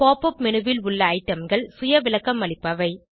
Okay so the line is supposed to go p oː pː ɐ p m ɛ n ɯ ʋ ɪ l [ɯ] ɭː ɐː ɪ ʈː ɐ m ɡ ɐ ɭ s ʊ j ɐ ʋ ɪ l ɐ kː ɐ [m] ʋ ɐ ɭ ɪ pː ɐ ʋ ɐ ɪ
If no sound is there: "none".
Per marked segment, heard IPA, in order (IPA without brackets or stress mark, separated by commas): ʊ, m